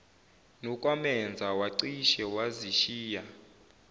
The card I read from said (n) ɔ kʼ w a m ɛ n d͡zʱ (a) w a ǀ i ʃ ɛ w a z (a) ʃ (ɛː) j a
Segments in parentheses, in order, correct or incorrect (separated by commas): correct, correct, incorrect, incorrect